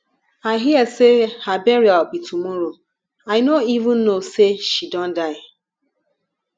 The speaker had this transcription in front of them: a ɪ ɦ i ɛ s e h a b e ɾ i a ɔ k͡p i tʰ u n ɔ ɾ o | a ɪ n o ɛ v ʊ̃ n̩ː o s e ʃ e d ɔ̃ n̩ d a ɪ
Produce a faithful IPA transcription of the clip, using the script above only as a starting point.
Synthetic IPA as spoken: a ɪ ɦ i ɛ s e h a b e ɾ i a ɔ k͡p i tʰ u m ɔ ɾ o | a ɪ n o i v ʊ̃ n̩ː o s e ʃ i d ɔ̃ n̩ d a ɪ